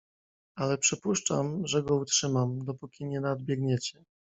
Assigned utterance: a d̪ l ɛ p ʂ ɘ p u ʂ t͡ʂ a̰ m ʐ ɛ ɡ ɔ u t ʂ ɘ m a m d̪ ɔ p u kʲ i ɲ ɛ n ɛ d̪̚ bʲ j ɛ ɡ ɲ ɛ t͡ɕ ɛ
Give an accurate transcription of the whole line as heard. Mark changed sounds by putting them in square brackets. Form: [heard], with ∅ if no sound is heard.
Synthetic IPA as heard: a [∅] l ɛ p ʂ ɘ p u ʂ t͡ʂ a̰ m ʐ ɛ ɡ ɔ u t ʂ ɘ m a m d̪ ɔ p u kʲ i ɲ ɛ n [a] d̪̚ bʲ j ɛ ɡ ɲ ɛ t͡ɕ ɛ